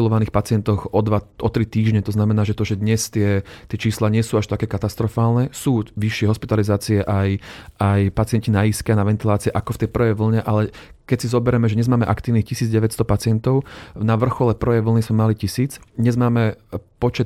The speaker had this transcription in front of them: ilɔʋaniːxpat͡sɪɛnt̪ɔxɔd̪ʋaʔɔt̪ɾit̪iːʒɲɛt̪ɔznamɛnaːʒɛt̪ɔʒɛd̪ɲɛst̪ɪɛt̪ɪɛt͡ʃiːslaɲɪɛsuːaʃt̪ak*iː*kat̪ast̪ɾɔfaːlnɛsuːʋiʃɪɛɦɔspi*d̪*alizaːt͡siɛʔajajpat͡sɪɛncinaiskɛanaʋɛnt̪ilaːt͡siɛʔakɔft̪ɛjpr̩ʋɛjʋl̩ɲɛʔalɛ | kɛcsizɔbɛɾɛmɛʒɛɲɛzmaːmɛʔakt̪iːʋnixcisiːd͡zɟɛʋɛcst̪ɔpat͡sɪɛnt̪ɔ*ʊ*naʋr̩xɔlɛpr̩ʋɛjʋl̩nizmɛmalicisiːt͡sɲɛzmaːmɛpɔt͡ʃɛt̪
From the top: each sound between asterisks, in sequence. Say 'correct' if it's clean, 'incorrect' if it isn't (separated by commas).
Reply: incorrect, incorrect, correct